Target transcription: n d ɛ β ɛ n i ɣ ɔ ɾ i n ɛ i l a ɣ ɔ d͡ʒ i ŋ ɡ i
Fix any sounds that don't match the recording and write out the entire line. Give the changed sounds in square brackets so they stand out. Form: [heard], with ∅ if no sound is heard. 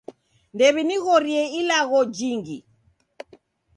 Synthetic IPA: n d ɛ β [i] n i ɣ ɔ ɾ i [∅] ɛ i l a ɣ ɔ d͡ʒ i ŋ ɡ i